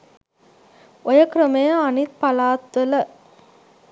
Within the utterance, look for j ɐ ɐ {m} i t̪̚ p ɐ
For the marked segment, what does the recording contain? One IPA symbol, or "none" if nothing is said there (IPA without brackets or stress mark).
n